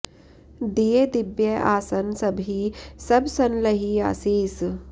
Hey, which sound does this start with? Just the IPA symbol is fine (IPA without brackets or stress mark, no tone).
d̪